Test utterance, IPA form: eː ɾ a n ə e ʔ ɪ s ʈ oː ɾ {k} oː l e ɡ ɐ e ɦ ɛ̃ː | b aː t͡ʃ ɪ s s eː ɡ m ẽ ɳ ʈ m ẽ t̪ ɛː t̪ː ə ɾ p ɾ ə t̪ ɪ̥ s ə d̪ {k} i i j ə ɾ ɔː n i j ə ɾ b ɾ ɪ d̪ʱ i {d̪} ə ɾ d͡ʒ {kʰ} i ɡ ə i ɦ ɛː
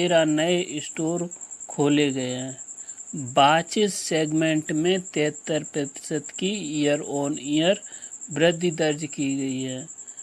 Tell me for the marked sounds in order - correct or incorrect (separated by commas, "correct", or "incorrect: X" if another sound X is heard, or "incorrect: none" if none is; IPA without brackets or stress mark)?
incorrect: kʰ, correct, correct, incorrect: k